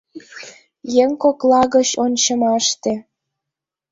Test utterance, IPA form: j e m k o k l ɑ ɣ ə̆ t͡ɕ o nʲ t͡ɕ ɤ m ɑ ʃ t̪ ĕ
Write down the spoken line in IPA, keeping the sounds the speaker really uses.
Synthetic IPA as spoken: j e ŋ k o k l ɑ ɣ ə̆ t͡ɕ o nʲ t͡ɕ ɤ m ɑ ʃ t̪ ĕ